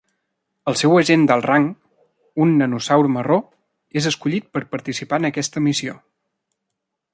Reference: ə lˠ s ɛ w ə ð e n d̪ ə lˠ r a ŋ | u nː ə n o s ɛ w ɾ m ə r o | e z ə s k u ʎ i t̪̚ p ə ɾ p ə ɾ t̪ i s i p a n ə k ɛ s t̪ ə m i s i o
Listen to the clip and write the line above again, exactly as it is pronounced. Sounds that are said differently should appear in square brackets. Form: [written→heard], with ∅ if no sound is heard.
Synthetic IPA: ə lˠ s ɛ w ə [ð→ʒ] e n d̪ ə lˠ r a ŋ | u nː ə n [o→u] s [ɛ→a] w ɾ m ə r o | e z ə s k u ʎ i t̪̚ p ə ɾ p ə ɾ t̪ i s i p a n ə k ɛ s t̪ ə m i s i o